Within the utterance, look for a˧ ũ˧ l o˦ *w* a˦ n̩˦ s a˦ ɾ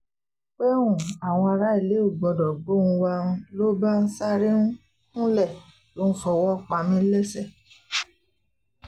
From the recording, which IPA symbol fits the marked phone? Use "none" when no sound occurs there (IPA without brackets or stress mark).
b